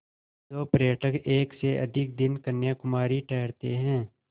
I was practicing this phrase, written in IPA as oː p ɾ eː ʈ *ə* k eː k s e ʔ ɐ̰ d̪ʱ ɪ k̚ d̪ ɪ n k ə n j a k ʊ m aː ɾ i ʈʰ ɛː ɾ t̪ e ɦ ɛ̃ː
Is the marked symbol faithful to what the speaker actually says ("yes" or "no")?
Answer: yes